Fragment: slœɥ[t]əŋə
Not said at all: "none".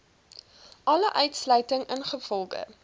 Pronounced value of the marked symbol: t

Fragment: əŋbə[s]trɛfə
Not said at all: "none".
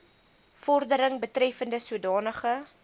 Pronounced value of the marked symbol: none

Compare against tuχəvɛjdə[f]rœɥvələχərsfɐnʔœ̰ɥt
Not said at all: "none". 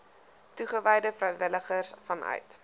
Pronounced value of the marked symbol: f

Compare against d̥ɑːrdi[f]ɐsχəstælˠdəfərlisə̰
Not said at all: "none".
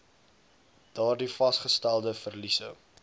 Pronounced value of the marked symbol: f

